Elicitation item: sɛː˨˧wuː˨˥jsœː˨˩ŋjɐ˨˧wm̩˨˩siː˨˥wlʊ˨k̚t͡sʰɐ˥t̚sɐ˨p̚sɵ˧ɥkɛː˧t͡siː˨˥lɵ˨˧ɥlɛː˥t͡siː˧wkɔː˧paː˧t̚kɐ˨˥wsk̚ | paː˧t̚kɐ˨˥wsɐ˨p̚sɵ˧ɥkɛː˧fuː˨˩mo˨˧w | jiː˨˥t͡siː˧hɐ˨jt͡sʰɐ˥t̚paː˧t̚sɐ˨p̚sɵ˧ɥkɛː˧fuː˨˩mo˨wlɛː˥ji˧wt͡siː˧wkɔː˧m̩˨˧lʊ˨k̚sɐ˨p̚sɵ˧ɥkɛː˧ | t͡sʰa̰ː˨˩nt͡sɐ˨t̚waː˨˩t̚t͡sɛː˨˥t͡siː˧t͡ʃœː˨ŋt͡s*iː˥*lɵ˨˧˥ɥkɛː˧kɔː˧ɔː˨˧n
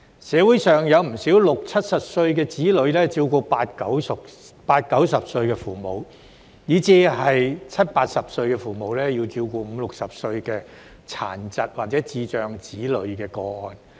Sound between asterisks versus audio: incorrect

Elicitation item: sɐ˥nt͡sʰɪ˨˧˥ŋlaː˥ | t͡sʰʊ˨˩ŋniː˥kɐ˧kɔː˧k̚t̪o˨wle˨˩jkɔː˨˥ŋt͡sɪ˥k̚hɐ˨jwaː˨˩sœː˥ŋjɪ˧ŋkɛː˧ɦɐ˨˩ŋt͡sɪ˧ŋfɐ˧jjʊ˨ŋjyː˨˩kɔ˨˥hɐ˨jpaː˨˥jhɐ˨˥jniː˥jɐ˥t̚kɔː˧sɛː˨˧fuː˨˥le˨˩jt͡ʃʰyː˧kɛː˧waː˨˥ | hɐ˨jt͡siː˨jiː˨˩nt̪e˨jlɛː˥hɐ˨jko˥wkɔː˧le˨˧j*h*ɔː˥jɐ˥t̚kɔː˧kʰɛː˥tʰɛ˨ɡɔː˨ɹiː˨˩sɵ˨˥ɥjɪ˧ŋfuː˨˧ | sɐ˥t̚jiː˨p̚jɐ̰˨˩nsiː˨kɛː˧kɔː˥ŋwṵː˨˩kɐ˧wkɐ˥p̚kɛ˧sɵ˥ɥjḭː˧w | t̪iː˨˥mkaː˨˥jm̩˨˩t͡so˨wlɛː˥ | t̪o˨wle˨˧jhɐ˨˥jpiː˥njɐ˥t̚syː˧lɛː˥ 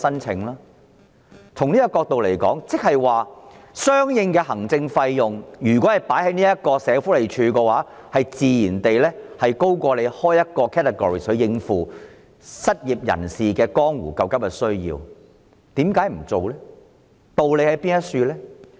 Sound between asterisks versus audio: correct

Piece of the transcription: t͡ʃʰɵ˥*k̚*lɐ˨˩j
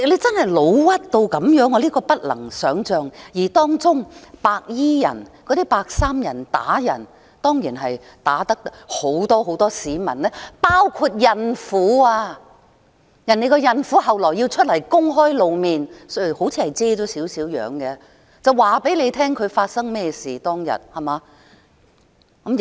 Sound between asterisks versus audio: incorrect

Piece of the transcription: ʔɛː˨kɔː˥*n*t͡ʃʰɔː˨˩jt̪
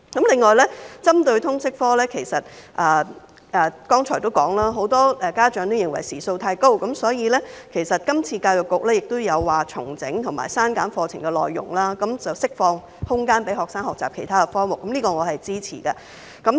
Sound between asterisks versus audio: incorrect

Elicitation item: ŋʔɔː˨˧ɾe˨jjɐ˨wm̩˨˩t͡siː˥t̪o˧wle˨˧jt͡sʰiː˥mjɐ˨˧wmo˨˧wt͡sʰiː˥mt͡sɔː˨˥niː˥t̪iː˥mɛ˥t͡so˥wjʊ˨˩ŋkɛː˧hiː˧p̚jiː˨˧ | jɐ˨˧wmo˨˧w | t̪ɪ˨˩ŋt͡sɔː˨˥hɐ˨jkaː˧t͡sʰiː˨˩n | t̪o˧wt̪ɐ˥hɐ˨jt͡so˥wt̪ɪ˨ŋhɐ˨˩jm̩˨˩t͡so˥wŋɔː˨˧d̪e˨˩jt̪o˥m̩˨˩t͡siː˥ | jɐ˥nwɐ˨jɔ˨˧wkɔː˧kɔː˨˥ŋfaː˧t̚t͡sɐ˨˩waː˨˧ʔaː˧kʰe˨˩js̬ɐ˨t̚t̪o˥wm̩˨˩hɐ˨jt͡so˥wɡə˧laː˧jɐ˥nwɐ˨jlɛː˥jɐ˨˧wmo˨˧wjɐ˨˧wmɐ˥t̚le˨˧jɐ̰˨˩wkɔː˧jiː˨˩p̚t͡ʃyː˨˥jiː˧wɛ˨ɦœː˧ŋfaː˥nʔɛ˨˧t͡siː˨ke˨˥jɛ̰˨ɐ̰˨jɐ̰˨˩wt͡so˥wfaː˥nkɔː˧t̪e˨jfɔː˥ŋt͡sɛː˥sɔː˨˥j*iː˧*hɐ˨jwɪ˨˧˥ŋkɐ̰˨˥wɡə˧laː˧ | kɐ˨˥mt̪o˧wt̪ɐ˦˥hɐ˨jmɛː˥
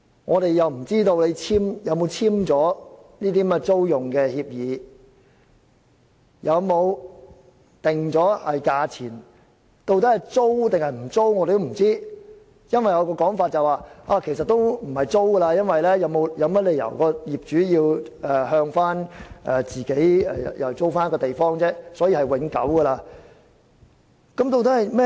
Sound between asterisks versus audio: correct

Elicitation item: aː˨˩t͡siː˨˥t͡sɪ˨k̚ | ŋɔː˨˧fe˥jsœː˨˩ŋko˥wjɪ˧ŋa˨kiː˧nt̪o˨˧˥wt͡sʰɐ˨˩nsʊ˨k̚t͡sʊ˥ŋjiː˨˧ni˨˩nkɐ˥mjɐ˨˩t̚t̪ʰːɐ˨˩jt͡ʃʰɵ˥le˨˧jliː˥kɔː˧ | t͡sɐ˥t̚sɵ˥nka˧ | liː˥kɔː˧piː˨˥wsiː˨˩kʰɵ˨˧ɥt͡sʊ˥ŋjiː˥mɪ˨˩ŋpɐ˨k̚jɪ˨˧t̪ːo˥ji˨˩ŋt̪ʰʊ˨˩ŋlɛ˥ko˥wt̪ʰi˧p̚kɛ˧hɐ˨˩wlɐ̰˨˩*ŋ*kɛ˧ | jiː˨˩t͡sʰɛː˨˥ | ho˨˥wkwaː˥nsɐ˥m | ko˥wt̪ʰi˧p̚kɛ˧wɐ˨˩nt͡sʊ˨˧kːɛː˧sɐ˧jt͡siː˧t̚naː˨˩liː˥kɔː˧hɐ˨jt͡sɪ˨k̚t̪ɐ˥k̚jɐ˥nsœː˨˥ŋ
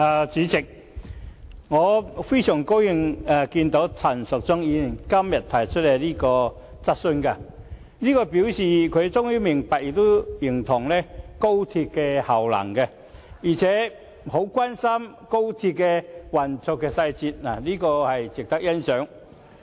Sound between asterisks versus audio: correct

